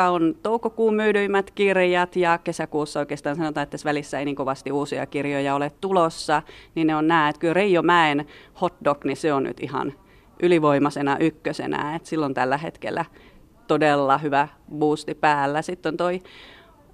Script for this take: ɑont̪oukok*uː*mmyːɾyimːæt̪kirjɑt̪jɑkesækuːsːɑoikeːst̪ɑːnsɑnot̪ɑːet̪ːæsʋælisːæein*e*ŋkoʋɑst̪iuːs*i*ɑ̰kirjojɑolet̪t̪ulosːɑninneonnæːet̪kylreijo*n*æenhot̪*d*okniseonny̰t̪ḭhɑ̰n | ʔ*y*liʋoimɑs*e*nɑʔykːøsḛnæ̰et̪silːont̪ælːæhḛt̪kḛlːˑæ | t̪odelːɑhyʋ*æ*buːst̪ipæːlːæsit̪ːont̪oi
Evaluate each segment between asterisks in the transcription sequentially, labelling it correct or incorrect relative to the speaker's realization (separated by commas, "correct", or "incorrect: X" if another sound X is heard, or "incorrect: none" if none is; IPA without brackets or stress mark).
correct, incorrect: i, correct, incorrect: m, correct, correct, correct, correct